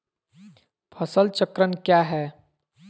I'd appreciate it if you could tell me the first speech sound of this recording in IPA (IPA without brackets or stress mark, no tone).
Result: pʰ